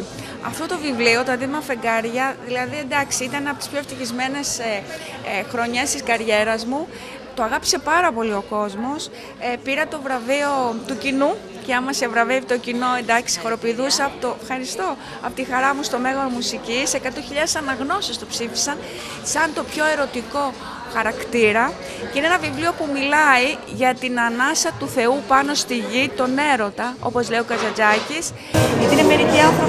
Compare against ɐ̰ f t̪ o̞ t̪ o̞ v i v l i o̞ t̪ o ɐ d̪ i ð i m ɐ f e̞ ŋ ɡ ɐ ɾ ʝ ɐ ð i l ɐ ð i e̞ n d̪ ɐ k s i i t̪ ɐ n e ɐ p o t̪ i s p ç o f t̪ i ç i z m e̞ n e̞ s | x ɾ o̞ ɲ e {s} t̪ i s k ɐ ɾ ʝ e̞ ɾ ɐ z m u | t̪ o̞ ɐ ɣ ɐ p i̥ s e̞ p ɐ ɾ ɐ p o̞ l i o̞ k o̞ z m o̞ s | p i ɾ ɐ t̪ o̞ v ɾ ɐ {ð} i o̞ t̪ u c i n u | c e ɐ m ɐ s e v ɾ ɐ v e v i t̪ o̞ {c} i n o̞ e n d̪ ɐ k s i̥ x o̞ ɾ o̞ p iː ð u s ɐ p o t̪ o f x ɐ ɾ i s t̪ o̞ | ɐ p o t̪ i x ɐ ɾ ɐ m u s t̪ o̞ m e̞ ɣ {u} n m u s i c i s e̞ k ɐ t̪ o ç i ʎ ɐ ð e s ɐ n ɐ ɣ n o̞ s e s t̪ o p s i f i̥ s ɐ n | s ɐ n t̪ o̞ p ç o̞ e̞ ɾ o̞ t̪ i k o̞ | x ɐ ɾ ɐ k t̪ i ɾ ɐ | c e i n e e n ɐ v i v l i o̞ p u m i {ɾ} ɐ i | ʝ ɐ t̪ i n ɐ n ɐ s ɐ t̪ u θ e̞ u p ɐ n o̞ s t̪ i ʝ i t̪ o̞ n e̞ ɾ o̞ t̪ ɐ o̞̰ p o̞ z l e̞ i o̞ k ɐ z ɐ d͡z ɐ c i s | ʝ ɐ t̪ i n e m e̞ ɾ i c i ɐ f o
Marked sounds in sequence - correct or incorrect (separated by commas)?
correct, incorrect, correct, incorrect, incorrect